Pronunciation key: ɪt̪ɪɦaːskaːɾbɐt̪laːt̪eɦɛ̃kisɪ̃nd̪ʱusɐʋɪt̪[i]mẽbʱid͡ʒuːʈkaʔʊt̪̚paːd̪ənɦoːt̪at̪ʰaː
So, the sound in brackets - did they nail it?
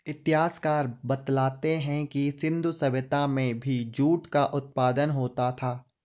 no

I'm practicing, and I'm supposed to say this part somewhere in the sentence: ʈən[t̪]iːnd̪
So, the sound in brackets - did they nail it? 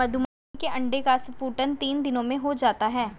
yes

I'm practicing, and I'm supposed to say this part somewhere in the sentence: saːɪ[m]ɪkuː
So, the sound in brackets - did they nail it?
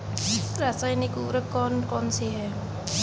no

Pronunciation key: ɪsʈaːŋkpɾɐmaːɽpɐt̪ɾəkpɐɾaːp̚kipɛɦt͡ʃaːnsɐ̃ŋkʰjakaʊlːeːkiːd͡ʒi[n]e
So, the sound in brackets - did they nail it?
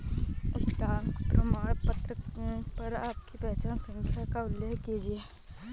no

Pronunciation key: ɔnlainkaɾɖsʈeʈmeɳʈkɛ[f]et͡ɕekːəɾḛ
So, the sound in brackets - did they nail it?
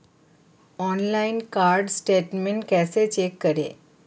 no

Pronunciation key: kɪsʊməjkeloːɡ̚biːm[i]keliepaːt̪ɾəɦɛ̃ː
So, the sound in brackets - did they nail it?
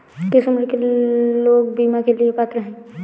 no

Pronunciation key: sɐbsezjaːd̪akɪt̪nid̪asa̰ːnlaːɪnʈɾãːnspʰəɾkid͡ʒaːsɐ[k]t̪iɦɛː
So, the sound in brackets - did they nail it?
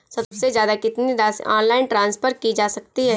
yes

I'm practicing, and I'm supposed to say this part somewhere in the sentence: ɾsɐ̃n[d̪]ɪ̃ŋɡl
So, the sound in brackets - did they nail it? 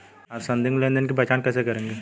yes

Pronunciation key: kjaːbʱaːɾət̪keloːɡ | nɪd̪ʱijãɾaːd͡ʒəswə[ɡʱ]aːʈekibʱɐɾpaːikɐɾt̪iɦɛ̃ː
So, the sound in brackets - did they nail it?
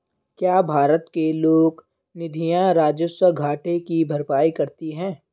yes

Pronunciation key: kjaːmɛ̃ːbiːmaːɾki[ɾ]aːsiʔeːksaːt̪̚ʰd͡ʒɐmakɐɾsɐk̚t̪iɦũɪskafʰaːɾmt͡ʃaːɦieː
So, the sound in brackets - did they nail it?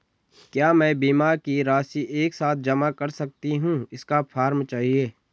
yes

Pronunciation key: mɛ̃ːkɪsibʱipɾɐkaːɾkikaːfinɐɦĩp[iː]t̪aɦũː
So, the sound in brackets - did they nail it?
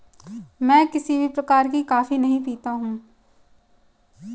yes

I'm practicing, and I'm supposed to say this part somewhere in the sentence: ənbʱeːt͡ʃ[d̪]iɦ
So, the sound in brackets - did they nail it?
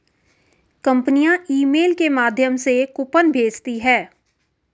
no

